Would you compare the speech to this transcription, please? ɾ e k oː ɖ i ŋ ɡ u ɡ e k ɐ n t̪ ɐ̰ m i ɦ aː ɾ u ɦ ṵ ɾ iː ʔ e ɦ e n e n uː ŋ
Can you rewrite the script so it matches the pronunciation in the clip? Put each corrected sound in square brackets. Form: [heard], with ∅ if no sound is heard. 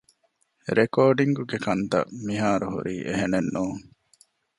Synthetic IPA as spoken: ɾ e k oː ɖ i ŋ ɡ u ɡ e k ɐ n t̪ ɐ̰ m i ɦ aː ɾ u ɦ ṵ ɾ iː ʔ e ɦ e n e [nː] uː ŋ